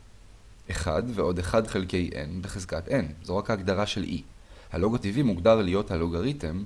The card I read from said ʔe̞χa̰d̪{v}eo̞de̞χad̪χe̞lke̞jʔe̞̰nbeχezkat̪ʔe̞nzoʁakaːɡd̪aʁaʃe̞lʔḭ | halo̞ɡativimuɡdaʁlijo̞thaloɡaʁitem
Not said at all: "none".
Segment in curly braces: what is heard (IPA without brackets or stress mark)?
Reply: v